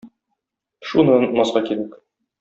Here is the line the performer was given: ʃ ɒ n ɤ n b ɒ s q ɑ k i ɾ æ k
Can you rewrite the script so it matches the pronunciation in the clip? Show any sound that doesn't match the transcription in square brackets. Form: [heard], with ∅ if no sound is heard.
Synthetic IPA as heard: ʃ [u] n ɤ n [m] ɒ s q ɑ k i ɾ æ k